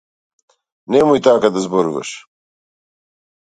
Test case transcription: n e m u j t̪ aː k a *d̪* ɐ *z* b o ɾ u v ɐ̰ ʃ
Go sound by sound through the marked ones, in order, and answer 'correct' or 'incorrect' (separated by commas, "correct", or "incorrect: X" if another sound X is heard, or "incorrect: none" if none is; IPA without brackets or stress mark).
correct, correct